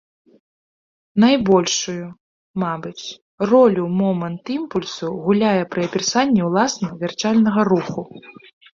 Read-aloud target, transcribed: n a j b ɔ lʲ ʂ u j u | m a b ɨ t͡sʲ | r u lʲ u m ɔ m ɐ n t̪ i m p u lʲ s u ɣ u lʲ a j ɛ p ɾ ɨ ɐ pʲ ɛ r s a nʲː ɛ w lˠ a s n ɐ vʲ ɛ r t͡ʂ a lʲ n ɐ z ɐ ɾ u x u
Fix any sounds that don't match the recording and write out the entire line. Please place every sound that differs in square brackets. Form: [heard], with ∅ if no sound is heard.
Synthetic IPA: n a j b ɔ lʲ ʂ u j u | m a b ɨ t͡sʲ | r [ɔ] lʲ u m ɔ m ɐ n t̪ i m p u lʲ s u ɣ u lʲ a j ɛ p ɾ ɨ ɐ pʲ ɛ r s a nʲː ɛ w lˠ a s n ɐ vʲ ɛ r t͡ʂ a lʲ n ɐ [ɣ] ɐ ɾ u x u